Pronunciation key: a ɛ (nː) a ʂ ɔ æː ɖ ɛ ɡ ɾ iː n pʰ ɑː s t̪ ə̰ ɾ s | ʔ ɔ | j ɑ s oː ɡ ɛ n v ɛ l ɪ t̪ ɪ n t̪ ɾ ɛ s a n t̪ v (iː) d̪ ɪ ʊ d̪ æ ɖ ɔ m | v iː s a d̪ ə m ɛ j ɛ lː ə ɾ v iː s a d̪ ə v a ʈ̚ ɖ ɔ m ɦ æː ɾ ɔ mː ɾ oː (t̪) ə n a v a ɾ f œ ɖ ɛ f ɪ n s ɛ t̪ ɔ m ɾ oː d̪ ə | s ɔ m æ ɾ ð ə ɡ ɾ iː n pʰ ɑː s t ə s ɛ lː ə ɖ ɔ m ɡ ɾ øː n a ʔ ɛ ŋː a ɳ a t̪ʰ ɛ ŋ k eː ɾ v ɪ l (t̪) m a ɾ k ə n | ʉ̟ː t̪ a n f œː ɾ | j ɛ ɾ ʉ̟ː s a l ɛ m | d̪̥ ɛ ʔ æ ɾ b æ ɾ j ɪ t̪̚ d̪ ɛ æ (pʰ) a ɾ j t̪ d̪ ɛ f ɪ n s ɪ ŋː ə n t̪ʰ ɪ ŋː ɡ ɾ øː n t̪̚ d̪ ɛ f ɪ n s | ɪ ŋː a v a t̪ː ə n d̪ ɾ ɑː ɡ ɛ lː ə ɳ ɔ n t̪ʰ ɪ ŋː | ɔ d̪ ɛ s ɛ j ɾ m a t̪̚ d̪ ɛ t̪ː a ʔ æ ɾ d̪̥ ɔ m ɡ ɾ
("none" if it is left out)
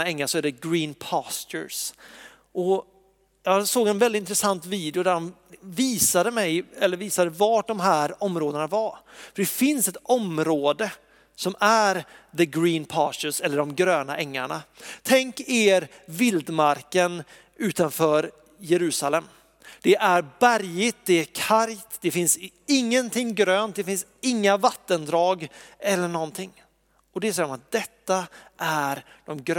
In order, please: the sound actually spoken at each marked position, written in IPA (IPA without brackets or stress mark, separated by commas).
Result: ŋː, iː, d̪, d̪, kʰ